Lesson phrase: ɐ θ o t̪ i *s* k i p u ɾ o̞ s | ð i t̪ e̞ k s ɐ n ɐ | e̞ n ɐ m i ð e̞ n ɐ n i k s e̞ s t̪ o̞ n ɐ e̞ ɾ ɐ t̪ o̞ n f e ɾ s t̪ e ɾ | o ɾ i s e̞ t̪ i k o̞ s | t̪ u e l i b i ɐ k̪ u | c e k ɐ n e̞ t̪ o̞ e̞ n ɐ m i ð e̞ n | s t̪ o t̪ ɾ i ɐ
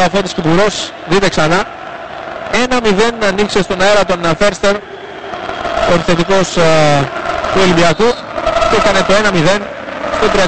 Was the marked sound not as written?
no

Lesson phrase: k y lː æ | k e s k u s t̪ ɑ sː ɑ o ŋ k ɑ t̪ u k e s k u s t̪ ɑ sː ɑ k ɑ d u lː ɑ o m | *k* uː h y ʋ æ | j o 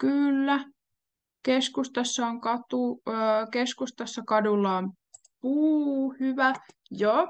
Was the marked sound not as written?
yes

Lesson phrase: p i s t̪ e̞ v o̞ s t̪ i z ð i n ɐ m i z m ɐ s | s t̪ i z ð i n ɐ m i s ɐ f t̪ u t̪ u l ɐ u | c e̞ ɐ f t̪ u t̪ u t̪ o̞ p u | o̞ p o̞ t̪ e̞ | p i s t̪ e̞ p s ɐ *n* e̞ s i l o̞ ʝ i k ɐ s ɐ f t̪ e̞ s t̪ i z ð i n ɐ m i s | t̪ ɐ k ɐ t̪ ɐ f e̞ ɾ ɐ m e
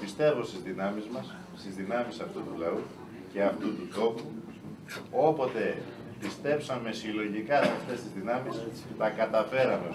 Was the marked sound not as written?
yes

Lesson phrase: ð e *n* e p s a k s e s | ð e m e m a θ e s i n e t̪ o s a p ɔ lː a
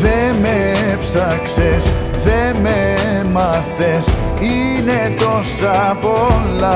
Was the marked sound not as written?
yes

